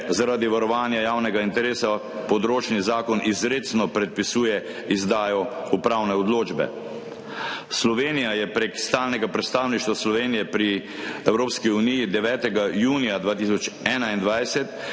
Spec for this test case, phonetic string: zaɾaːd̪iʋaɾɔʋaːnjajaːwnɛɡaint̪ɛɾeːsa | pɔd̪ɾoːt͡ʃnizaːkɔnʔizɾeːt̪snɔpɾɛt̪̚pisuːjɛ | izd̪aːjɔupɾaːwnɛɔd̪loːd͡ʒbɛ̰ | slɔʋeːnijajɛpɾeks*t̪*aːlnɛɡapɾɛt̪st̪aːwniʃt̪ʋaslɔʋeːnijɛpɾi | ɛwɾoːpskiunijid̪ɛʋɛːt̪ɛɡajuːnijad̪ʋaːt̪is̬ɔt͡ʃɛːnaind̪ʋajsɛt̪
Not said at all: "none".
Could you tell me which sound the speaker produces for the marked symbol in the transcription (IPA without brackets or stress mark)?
t̪